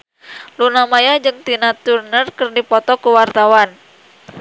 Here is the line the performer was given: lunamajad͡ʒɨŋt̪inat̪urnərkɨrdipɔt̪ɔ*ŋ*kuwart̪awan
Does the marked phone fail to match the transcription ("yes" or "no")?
yes